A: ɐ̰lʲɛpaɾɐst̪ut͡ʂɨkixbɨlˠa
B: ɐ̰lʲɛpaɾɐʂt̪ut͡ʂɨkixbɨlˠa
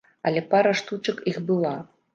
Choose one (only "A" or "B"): B